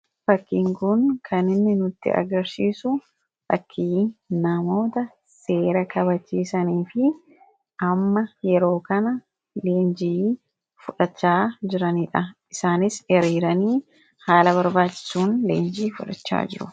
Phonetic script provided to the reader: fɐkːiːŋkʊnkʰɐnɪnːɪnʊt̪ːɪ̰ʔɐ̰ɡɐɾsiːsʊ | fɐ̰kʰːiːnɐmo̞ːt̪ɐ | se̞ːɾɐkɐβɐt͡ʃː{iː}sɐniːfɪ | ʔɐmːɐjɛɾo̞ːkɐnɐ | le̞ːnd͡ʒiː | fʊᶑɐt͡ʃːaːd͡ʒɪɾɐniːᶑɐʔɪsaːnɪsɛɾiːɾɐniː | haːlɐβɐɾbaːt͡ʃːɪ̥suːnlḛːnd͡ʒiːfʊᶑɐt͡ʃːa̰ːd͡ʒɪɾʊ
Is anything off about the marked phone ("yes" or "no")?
no